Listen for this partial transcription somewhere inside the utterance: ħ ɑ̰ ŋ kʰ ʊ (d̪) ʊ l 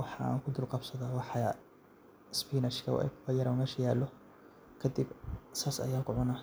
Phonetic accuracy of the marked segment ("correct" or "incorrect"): correct